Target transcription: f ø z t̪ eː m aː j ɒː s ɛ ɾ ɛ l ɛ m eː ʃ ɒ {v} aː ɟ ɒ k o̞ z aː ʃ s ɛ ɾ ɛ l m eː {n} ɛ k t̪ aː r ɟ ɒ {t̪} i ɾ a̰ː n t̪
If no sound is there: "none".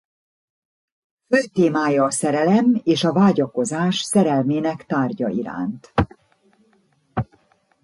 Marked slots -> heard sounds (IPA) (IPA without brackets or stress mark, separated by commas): v, n, none